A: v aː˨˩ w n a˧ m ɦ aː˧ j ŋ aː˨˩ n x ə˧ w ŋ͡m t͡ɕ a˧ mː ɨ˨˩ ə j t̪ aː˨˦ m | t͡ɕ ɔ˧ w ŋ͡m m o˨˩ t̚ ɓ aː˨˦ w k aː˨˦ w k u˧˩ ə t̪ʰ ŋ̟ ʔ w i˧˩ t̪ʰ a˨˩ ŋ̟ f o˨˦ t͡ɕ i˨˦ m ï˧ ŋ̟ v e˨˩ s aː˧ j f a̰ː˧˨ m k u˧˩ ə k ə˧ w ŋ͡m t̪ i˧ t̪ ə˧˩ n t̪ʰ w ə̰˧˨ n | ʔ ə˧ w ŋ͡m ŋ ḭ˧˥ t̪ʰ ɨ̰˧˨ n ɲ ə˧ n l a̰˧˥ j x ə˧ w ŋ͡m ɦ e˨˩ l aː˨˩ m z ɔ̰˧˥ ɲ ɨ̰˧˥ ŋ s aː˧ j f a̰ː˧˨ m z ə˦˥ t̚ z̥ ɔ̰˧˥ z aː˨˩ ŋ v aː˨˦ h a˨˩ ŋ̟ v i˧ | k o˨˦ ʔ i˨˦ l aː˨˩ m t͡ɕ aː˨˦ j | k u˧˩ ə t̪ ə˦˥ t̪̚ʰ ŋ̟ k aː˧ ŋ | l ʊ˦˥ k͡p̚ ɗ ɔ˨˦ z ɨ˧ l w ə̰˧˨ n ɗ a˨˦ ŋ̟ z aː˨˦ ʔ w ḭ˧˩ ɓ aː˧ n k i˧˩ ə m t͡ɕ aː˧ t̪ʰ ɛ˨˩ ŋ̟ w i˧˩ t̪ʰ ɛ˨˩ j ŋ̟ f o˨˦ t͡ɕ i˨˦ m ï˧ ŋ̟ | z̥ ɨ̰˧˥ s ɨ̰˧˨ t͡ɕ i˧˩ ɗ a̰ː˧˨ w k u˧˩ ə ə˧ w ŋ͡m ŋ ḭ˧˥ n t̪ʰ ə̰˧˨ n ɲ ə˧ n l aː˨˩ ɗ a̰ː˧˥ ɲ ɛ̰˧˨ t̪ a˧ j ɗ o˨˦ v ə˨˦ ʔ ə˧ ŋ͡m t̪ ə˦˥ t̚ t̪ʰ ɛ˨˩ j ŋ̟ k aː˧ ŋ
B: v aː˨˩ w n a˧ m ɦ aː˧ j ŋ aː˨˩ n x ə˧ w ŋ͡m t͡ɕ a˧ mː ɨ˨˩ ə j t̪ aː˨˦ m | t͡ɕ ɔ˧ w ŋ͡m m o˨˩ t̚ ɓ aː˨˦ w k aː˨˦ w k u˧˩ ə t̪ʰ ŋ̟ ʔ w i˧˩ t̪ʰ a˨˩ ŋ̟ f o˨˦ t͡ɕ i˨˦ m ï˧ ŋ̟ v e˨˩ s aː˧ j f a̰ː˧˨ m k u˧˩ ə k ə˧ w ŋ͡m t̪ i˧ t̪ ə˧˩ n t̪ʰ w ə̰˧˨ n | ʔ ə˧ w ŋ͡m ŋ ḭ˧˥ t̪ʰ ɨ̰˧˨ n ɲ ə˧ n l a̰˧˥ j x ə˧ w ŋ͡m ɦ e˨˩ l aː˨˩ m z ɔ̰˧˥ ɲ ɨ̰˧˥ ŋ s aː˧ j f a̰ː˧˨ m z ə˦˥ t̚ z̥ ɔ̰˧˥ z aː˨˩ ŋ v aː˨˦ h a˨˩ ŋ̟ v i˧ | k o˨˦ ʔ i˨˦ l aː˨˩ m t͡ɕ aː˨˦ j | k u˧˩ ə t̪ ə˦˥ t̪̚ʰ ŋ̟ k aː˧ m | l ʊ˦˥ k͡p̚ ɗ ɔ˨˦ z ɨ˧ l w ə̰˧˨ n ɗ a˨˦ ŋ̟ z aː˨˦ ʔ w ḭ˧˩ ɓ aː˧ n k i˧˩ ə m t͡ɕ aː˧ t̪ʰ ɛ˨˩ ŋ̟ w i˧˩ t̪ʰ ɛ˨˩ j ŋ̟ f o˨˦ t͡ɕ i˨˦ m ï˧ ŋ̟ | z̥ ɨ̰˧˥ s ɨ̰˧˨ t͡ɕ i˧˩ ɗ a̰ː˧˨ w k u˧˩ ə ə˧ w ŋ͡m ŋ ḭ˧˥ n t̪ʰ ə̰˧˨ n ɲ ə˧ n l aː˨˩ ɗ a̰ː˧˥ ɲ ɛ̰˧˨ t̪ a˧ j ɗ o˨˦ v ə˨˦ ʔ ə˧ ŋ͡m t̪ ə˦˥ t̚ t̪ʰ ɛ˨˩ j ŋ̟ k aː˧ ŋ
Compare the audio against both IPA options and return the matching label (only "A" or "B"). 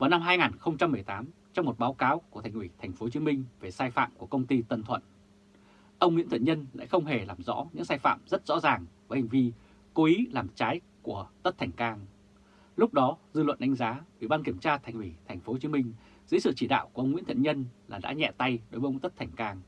A